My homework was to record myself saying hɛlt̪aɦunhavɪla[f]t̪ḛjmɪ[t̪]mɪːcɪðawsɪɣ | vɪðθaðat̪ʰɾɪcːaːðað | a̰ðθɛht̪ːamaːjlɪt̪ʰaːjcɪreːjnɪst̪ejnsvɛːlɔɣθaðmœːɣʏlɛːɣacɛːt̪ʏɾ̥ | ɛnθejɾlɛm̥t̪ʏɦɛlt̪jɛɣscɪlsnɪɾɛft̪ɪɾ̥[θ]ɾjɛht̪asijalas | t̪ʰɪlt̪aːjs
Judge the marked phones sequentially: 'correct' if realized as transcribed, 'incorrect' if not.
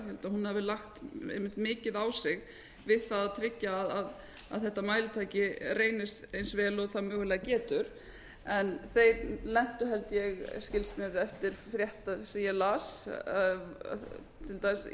incorrect: x, correct, incorrect: f

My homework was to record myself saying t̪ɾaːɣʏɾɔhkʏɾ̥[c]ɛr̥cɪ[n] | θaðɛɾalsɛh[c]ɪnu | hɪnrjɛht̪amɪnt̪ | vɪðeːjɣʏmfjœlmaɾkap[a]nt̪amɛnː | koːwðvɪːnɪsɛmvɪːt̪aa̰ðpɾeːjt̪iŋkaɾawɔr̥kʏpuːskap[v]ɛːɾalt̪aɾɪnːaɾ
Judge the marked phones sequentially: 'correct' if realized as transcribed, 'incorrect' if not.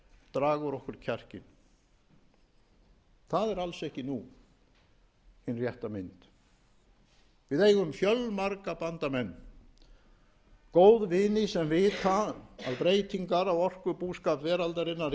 incorrect: cʰ, correct, correct, correct, correct

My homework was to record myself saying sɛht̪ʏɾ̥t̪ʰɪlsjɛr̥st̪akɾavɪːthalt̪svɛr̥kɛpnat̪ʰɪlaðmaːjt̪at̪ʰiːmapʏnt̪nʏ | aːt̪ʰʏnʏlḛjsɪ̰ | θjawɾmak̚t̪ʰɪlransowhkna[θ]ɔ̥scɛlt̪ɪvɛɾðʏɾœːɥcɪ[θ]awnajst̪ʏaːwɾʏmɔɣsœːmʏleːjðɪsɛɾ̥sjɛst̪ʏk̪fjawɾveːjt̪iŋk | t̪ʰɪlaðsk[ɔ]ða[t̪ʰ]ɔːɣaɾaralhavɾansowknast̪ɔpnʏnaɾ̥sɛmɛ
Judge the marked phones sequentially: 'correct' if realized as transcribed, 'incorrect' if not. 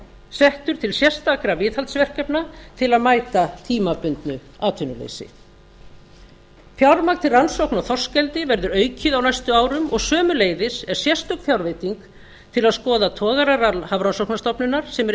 correct, incorrect: ð, incorrect: ɔː, correct

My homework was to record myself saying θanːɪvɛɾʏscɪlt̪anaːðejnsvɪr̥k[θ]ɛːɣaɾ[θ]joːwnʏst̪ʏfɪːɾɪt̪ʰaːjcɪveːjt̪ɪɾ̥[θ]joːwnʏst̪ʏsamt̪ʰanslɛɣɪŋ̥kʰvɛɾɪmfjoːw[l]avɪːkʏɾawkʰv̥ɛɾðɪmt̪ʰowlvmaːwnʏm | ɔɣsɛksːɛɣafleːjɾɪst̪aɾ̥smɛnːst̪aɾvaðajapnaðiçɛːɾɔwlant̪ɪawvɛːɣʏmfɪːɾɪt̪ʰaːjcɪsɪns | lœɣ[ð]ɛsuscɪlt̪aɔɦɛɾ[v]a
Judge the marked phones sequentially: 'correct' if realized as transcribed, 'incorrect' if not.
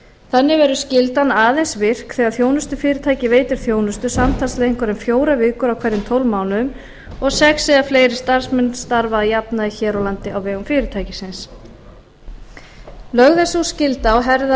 correct, correct, correct, incorrect: ɾ, correct, incorrect: ð

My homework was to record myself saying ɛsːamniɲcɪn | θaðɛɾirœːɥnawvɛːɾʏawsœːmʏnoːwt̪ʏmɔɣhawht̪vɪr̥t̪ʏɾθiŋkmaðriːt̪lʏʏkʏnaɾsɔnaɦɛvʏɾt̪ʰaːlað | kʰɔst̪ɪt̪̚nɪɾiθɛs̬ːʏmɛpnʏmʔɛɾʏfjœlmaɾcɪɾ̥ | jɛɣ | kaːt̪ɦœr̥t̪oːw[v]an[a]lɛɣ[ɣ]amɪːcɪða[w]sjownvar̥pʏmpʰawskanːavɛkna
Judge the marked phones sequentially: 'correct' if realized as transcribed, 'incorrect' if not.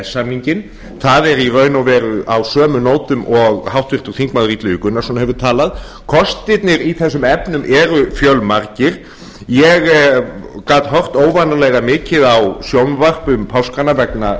correct, correct, correct, correct

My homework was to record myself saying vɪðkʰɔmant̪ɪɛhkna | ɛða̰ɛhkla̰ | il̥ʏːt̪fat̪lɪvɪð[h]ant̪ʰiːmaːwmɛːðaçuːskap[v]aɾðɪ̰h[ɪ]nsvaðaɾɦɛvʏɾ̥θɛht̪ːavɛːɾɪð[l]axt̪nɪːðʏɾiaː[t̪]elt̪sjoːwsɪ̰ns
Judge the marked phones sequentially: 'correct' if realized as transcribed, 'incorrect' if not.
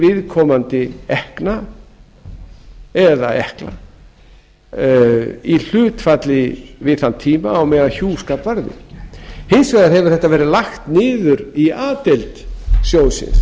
incorrect: θ, correct, correct, correct, correct

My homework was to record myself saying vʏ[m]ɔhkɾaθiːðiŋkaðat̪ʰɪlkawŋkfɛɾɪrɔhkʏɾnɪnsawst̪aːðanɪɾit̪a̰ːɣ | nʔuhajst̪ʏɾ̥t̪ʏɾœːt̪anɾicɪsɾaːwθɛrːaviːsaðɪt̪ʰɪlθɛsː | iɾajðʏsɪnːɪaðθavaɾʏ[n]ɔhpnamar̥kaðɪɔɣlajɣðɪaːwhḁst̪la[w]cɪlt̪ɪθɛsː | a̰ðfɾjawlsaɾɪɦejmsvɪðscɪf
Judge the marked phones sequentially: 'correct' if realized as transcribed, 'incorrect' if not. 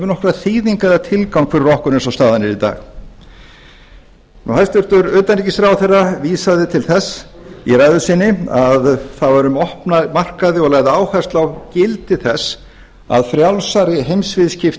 incorrect: n, incorrect: m, correct

